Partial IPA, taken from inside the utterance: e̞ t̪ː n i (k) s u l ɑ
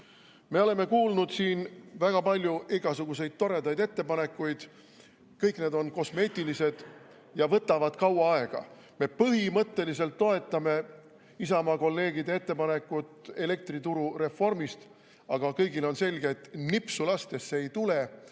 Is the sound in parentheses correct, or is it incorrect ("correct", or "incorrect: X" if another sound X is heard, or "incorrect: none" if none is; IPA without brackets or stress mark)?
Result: incorrect: p